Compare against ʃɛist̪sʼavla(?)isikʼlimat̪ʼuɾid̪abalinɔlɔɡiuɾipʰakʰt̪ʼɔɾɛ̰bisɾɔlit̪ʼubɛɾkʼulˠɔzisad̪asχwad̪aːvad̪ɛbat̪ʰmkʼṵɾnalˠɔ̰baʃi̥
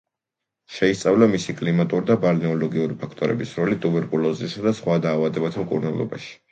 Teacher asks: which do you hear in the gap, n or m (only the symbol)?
m